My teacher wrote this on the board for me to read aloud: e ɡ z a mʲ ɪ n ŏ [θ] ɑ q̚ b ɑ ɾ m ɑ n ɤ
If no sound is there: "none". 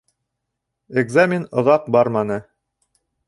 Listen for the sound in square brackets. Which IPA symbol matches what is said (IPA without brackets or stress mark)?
ð